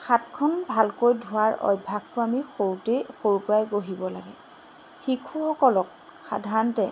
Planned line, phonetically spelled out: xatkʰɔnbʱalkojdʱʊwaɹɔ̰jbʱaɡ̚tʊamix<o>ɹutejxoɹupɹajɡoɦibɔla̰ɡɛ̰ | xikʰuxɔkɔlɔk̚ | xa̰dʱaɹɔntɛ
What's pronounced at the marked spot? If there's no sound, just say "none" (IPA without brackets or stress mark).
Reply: o